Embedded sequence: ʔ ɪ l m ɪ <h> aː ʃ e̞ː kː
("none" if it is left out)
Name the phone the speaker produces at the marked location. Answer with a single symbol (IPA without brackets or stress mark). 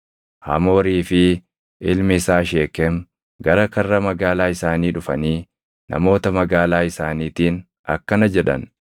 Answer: s